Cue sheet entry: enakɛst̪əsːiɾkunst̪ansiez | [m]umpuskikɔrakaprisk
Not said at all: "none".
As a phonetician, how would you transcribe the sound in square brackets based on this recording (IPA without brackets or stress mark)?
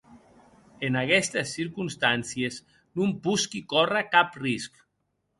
n